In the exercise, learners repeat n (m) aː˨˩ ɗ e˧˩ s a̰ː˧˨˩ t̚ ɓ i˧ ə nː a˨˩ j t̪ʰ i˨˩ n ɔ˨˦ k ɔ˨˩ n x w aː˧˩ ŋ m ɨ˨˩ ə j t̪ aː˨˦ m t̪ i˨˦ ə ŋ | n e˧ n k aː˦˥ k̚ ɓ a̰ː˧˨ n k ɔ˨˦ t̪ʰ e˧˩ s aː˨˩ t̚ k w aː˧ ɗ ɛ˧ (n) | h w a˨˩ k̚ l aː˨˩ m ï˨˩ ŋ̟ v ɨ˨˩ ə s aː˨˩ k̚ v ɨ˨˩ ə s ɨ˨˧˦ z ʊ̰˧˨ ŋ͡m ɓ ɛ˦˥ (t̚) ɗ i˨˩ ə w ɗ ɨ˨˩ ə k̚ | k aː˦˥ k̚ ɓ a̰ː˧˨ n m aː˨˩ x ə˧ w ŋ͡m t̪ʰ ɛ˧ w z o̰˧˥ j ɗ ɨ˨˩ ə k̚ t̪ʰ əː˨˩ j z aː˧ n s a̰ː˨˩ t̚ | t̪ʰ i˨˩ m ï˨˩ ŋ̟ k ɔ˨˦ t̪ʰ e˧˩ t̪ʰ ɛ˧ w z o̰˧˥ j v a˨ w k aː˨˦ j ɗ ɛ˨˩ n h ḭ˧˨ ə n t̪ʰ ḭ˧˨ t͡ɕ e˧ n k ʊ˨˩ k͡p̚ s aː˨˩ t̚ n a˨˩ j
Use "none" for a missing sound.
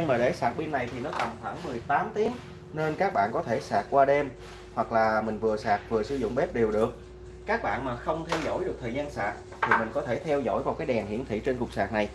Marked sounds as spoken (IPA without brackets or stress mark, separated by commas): m, m, p̚